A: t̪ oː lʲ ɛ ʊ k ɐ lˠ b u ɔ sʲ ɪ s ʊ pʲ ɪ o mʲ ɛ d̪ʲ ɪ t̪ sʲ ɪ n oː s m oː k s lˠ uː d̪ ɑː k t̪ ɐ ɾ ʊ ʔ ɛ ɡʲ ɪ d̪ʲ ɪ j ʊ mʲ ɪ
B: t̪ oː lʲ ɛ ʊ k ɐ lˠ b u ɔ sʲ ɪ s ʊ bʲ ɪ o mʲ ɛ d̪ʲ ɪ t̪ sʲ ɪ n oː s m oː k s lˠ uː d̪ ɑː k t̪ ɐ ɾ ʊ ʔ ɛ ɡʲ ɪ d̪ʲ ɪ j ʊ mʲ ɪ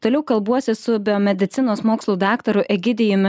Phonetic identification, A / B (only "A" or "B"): B